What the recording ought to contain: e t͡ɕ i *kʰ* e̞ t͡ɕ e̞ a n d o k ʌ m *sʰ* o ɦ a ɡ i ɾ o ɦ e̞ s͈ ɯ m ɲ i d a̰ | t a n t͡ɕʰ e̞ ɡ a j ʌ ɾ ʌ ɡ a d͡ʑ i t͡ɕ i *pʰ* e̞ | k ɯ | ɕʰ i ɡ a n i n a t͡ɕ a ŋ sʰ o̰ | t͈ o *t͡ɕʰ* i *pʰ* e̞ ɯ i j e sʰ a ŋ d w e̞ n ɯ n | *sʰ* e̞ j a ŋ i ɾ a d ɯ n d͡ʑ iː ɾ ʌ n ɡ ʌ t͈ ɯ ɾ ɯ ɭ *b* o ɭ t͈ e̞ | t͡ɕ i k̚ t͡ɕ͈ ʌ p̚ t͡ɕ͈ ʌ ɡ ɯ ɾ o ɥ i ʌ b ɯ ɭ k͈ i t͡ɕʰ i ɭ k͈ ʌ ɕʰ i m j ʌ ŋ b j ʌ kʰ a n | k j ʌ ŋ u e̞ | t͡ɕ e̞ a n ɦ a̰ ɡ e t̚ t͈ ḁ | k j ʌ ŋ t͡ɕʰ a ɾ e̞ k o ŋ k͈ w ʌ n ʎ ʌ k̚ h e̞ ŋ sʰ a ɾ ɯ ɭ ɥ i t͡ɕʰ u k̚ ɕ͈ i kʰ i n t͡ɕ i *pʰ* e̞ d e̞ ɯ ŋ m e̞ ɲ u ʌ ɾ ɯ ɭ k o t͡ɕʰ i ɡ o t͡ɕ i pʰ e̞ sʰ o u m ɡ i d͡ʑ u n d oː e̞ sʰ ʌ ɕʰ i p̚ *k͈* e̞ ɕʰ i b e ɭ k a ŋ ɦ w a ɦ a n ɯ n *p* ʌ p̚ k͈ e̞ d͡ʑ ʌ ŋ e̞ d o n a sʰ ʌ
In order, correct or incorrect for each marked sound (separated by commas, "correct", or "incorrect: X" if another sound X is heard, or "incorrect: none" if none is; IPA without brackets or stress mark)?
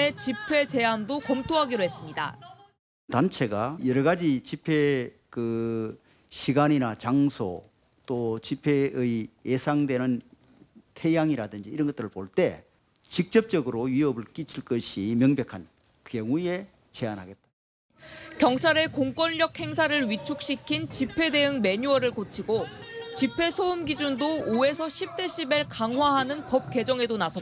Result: incorrect: pʰ, incorrect: tʰ, correct, incorrect: t͡ɕ, correct, incorrect: tʰ, incorrect: p, correct, incorrect: t͈, correct